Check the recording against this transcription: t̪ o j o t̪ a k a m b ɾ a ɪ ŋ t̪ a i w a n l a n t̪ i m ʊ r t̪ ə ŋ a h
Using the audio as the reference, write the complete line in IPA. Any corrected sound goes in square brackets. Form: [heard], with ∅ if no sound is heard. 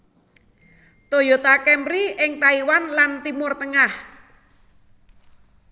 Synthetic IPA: t̪ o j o t̪ a k [ɛ] m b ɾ [i] ɪ ŋ t̪ a i w a n l a n t̪ i m ʊ r t̪ ə ŋ a h